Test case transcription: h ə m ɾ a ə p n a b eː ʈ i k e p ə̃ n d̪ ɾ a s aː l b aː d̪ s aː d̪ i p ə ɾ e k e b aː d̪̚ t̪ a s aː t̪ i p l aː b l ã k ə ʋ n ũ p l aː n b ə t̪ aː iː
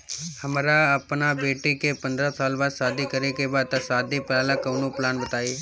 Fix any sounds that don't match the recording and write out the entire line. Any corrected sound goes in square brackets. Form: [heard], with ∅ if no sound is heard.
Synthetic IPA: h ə m ɾ a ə p n a b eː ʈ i k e p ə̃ n d̪ ɾ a s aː l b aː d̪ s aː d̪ i [k] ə ɾ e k e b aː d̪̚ t̪ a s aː [d̪] i p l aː [∅] l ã k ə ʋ n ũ p l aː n b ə t̪ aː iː